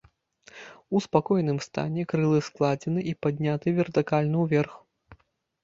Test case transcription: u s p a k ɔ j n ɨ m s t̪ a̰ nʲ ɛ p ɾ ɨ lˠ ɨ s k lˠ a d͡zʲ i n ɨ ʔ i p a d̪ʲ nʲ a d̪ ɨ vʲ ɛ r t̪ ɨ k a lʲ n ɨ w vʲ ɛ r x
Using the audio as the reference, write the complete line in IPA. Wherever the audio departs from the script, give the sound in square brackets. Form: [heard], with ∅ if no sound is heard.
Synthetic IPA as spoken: u s p a k ɔ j n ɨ m s t̪ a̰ nʲ ɛ [k] ɾ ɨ lˠ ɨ s k lˠ a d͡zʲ [ɛ] n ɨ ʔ i p a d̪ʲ nʲ a [t̪] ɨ vʲ ɛ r t̪ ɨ k a lʲ n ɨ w vʲ ɛ r x